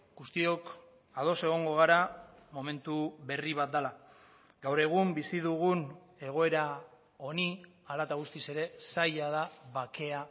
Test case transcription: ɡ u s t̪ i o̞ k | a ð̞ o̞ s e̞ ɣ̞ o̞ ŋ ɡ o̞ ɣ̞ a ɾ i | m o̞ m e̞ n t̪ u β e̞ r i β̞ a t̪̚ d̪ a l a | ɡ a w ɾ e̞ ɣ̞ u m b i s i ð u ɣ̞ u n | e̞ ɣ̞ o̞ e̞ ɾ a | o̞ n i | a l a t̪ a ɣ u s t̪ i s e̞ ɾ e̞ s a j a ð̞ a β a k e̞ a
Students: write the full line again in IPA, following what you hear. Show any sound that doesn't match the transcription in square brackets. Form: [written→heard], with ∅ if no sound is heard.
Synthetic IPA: ɡ u s t̪ i o̞ k | a ð̞ o̞ s e̞ ɣ̞ o̞ ŋ ɡ o̞ ɣ̞ a ɾ [i→a] | m o̞ m e̞ n t̪ u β e̞ r i β̞ a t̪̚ d̪ a l a | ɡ a w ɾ e̞ ɣ̞ u m b i s i ð u ɣ̞ u n | e̞ ɣ̞ o̞ e̞ ɾ a | o̞ n i | a l a t̪ a ɣ u s t̪ i s e̞ ɾ e̞ s a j a ð̞ a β a k e̞ a

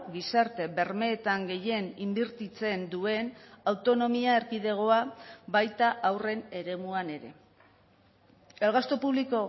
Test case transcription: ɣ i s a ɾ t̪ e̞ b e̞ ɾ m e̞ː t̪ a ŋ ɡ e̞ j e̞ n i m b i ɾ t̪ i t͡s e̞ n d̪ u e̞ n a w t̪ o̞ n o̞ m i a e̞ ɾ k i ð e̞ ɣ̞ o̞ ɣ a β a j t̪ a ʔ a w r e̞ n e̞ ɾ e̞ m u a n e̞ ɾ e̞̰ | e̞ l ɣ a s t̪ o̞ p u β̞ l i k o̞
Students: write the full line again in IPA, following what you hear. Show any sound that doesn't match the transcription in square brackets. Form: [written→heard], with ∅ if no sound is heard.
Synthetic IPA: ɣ i s a ɾ t̪ e̞ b e̞ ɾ m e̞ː t̪ a ŋ ɡ e̞ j e̞ n i m b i ɾ t̪ i t͡s e̞ n d̪ u e̞ n a w t̪ o̞ n o̞ m i a e̞ ɾ k i ð e̞ ɣ̞ o̞ [ɣ→∅] a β a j t̪ a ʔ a w r e̞ n e̞ ɾ e̞ m u a n e̞ ɾ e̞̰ | e̞ l ɣ a s t̪ o̞ p u β̞ l i k o̞

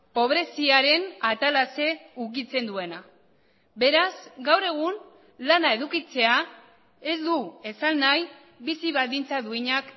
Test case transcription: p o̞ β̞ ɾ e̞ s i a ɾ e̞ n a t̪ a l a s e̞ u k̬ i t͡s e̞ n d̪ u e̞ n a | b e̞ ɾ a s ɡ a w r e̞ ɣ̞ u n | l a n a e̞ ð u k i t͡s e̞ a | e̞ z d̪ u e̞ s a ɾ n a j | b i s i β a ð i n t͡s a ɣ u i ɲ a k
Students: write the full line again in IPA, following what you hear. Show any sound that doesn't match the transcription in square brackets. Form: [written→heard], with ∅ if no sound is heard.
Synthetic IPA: p o̞ β̞ ɾ e̞ s i a ɾ e̞ n a t̪ a l a s e̞ u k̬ i t͡s e̞ n d̪ u e̞ n a | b e̞ ɾ a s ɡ a w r e̞ ɣ̞ u n | l a n a e̞ ð u k i t͡s e̞ a | e̞ z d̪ u e̞ s a [ɾ→l] n a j | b i s i β a ð i n t͡s a [ɣ→ð] u i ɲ a k

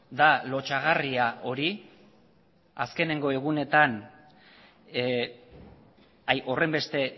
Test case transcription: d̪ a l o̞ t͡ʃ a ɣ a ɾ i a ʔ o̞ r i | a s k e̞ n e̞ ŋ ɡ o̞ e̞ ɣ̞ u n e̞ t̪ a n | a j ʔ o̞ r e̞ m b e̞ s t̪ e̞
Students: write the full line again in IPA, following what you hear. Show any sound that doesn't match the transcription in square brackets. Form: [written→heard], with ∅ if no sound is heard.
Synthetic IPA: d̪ a l o̞ t͡ʃ a ɣ a [ɾ→r] i a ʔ o̞ [r→ɾ] i | a s k e̞ n e̞ ŋ ɡ o̞ e̞ ɣ̞ u n e̞ t̪ a n | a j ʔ o̞ r e̞ m b e̞ s t̪ e̞

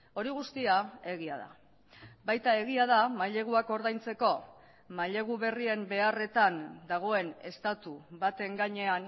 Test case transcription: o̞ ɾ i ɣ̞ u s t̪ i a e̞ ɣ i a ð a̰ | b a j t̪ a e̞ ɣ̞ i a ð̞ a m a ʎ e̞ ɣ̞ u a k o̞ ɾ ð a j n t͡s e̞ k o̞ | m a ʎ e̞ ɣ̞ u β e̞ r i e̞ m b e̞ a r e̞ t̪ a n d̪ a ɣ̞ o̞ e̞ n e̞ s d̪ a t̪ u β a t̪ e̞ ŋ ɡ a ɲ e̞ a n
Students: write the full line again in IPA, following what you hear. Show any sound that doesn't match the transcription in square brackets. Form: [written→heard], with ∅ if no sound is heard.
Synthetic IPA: o̞ ɾ i ɣ̞ u s t̪ i a e̞ ɣ i a ð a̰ | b a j t̪ a e̞ ɣ̞ i a ð̞ a m a ʎ e̞ ɣ̞ u a k o̞ ɾ ð a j n t͡s e̞ k o̞ | m a ʎ e̞ ɣ̞ u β e̞ r i e̞ m b e̞ a r e̞ t̪ a n d̪ a ɣ̞ o̞ e̞ n e̞ s [d̪→t̪] a t̪ u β a t̪ e̞ ŋ ɡ a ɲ e̞ a n

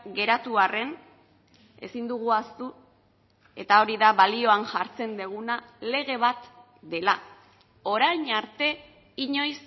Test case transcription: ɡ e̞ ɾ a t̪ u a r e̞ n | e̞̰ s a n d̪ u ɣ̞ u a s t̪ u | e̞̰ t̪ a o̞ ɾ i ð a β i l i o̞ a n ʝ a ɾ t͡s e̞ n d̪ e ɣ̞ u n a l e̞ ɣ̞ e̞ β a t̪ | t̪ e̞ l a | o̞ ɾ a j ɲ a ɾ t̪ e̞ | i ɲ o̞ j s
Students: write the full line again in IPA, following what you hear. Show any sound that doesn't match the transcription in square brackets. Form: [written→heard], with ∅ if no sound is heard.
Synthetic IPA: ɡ e̞ ɾ a t̪ u a r e̞ n | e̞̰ s [a→i] n d̪ u ɣ̞ u a s t̪ u | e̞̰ t̪ a o̞ ɾ i ð a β [i→a] l i o̞ a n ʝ a ɾ t͡s e̞ n d̪ e ɣ̞ u n a l e̞ ɣ̞ e̞ β a t̪ | [t̪→d̪] e̞ l a | o̞ ɾ a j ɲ a ɾ t̪ e̞ | i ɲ o̞ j s

